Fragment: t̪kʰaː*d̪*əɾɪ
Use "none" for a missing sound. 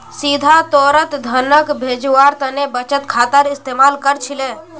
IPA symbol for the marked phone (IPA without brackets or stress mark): t̪